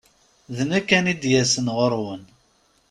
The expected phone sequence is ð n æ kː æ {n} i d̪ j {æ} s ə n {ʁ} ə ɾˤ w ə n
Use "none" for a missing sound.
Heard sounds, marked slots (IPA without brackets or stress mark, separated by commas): n, æ, ʁ